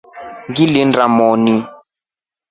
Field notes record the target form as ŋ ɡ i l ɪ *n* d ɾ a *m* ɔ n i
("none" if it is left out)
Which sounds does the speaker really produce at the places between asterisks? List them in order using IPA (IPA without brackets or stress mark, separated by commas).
n, m